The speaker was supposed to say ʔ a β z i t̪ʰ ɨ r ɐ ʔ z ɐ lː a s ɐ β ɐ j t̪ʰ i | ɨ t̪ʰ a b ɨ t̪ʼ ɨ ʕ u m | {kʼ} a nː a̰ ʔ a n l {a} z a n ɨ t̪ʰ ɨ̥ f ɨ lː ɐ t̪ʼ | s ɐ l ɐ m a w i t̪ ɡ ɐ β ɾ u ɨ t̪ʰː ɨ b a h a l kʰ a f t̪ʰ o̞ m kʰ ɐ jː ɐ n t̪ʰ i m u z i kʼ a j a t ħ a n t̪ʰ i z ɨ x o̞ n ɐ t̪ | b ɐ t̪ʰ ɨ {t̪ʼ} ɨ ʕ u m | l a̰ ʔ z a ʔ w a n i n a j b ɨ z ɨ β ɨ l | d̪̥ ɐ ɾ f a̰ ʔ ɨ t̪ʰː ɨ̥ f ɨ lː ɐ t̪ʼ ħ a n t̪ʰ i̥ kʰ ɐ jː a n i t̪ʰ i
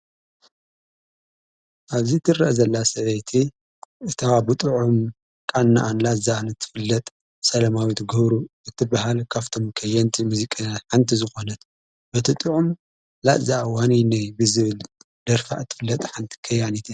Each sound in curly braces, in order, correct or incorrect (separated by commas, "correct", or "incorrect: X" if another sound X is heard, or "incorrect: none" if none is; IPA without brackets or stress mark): correct, correct, correct